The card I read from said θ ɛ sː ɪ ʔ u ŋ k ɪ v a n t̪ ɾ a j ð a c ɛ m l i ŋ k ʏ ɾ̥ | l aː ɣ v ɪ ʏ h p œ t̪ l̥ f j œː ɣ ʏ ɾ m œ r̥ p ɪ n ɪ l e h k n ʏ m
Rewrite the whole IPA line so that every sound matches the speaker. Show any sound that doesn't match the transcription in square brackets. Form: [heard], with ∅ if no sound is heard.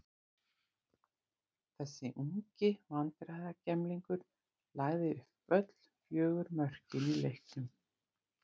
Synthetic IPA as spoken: θ ɛ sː ɪ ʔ u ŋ [c] ɪ v a n t̪ ɾ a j ð a c ɛ m l i ŋ k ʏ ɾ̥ | l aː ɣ [ð] ɪ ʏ h p œ t̪ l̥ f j œː ɣ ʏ ɾ m œ r̥ [c] ɪ n [i] l e h k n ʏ m

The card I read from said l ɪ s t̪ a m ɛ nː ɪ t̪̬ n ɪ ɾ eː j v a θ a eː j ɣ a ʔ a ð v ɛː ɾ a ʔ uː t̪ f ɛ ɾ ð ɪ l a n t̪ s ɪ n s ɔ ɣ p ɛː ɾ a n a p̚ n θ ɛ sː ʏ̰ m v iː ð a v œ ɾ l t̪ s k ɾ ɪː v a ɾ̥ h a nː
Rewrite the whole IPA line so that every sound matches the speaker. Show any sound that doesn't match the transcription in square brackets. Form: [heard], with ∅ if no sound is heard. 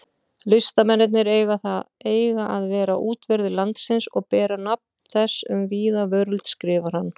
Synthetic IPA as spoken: l ɪ s t̪ a m ɛ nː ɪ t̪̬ n ɪ ɾ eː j [ɣ] a θ a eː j ɣ a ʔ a ð v ɛː ɾ a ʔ uː t̪ [v] ɛ ɾ ð ɪ l a n t̪ s ɪ n s ɔ ɣ p ɛː ɾ a n a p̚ n θ ɛ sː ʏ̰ m v iː ð a v œ ɾ l t̪ s k ɾ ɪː v a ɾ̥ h a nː

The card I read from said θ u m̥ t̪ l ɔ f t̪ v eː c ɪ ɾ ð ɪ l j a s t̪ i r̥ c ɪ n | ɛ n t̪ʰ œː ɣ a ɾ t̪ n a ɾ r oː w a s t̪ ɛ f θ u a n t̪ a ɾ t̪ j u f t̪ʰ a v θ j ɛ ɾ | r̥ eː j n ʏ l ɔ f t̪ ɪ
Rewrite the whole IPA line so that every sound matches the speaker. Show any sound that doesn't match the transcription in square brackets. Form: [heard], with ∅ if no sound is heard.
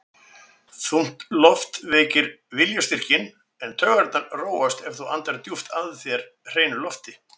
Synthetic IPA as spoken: θ u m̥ t̪ l ɔ f t̪ v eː c ɪ ɾ [v] ɪ l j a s t̪ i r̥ c ɪ n | ɛ n t̪ʰ œː ɣ a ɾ t̪ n a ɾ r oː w a s t̪ ɛ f θ u a n t̪ a ɾ t̪ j u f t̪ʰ a [ð] θ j ɛ ɾ | r̥ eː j n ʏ l ɔ f t̪ ɪ

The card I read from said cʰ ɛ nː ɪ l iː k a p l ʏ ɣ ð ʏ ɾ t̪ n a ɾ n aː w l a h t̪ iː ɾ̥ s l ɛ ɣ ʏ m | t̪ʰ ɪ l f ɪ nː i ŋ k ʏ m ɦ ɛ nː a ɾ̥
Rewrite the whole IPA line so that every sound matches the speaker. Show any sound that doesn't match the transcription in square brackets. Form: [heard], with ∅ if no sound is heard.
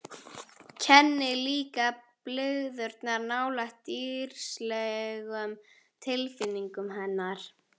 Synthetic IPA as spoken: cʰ ɛ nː ɪ l iː k a p l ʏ ɣ ð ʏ ɾ t̪ n a ɾ n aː w l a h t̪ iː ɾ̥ s l ɛ ɣ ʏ m | t̪ʰ ɪ l f ɪ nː i ŋ k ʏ m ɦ ɛ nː a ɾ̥

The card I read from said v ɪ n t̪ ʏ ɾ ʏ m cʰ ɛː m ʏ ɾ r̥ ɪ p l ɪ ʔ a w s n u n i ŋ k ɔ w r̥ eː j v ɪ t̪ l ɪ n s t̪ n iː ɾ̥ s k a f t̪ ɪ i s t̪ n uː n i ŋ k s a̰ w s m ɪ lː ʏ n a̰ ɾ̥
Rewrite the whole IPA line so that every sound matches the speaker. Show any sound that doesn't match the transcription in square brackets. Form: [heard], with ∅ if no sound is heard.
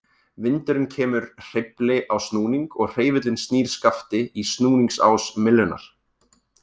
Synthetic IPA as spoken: v ɪ n t̪ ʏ ɾ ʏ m cʰ ɛː m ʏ ɾ r̥ ɪ p l ɪ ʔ a w s n [uː] n i ŋ k ɔ [ɣ] r̥ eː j v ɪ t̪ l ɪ n s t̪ n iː ɾ̥ s k a f t̪ ɪ i s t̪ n uː n i ŋ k s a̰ w s m ɪ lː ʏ n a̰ ɾ̥

